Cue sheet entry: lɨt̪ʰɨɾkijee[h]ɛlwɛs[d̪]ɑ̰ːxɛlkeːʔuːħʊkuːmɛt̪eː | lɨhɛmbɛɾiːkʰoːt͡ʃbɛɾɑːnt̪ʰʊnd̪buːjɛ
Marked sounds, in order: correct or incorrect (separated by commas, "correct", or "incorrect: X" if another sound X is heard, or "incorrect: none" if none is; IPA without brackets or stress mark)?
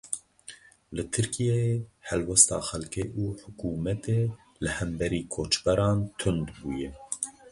correct, incorrect: t̪